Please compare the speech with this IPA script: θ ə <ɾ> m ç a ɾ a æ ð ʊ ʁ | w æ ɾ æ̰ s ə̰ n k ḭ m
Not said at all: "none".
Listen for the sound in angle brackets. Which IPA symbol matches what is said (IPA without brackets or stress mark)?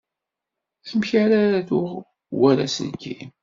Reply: none